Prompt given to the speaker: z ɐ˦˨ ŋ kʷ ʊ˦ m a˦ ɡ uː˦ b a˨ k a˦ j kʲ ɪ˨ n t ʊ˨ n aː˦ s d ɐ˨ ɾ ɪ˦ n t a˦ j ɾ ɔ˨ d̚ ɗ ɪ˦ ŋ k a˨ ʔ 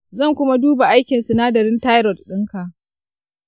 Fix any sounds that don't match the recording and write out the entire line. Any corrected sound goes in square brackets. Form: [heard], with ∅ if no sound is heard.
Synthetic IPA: z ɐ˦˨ ŋ kʷ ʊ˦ m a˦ [d] uː˦ b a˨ [ʔ] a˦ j kʲ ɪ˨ n [s] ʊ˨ n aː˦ [∅] d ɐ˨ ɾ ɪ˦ n t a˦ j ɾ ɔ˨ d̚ ɗ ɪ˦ ŋ k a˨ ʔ